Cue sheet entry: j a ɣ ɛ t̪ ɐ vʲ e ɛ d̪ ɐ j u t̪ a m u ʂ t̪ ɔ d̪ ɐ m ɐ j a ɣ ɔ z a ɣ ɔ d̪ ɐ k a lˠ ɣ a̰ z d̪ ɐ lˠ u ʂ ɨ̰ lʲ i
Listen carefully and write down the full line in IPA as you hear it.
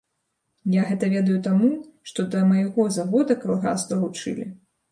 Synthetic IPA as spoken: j a ɣ ɛ t̪ ɐ vʲ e ɛ d̪ ɐ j u t̪ a m u ʂ t̪ ɔ d̪ ɐ m ɐ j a ɣ ɔ z a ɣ ɔ d̪ ɐ k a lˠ ɣ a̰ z d̪ ɐ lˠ u t͡ʂ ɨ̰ lʲ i